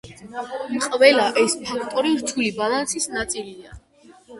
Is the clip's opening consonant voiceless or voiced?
voiced